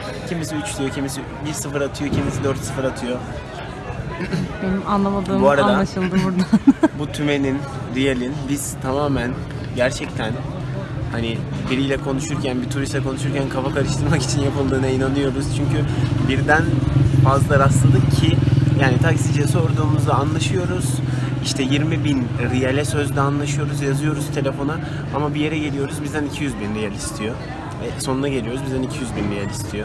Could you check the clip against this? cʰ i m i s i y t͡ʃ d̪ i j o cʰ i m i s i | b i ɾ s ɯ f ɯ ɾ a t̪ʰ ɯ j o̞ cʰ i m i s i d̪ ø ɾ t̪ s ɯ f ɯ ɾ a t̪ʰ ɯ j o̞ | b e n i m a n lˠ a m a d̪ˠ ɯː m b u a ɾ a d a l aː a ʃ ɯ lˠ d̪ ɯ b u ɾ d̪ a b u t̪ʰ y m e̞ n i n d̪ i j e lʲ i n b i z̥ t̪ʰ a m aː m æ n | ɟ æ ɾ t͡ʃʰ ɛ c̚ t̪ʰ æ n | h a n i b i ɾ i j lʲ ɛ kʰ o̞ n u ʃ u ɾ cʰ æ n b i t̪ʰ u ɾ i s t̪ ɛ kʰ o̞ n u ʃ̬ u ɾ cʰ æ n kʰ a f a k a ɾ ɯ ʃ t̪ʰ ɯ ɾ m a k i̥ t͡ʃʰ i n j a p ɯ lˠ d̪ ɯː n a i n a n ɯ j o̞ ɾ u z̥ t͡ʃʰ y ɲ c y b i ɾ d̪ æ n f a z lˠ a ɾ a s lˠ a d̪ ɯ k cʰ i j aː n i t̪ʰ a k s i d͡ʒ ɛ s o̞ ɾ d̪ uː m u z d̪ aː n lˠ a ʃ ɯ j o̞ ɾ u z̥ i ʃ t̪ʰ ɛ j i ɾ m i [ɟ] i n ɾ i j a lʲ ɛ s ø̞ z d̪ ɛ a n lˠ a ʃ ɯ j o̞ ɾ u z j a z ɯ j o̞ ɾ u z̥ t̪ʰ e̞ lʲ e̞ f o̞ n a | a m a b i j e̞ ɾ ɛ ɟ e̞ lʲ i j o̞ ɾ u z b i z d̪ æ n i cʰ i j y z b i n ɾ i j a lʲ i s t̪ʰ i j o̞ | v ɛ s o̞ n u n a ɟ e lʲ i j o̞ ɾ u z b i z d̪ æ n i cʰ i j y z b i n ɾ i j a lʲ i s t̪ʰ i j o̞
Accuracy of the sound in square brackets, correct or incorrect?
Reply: incorrect